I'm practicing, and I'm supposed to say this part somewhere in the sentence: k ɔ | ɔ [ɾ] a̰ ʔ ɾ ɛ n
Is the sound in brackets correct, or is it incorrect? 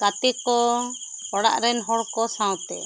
incorrect: ɽ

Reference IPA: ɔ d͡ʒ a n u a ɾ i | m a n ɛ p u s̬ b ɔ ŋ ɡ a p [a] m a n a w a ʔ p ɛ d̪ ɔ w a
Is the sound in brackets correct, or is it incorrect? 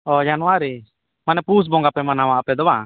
incorrect: ɛ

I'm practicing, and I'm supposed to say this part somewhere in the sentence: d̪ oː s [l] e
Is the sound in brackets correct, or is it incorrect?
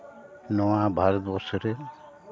incorrect: ɾ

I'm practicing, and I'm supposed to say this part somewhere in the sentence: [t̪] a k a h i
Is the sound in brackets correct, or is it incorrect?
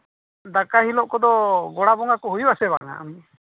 incorrect: d̪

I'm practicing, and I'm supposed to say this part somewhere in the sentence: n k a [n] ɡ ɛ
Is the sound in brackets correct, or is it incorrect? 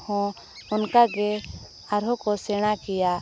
incorrect: none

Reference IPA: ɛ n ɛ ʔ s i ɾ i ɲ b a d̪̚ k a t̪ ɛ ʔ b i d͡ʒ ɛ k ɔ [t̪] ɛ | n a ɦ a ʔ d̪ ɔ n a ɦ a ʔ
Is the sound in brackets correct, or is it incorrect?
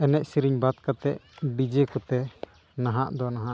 correct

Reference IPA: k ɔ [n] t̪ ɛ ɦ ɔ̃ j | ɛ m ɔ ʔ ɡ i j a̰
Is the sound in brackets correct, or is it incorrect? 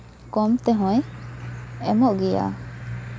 incorrect: m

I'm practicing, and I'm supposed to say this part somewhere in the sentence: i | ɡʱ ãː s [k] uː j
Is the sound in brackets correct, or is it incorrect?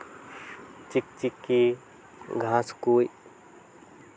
correct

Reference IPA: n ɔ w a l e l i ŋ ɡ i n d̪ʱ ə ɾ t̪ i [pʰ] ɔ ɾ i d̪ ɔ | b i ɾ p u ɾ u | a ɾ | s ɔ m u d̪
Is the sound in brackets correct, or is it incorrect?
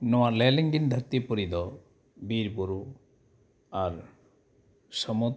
incorrect: p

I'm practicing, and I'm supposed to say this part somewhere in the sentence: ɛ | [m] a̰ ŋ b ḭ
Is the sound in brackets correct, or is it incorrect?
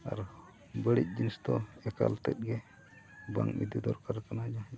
incorrect: b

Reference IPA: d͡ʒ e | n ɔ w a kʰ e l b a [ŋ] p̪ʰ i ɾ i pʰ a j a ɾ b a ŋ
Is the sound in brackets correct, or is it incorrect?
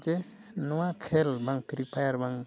correct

